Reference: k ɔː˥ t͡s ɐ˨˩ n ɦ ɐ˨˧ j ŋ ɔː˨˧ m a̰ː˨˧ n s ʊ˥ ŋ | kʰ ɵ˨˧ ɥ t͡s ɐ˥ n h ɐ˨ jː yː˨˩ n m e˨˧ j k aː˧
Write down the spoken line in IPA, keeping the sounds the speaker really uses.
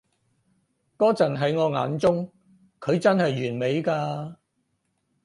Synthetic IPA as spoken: k ɔː˥ t͡s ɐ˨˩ n ɦ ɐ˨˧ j ŋ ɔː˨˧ ŋ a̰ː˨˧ n t͡s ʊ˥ ŋ | kʰ ɵ˨˧ ɥ t͡s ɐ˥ n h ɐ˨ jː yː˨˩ n m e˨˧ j k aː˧